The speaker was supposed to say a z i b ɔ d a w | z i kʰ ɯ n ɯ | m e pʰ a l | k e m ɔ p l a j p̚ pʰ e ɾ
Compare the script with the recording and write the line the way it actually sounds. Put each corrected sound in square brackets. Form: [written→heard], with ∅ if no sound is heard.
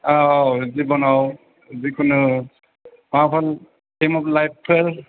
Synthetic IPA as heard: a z i b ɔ [d→n] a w | z i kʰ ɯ n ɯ | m [e→a] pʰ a l | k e m ɔ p l a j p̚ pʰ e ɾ